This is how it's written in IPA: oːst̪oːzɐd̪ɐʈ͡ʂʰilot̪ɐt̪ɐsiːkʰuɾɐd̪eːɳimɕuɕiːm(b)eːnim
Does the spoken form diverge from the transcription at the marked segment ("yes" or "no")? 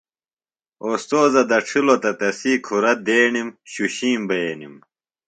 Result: no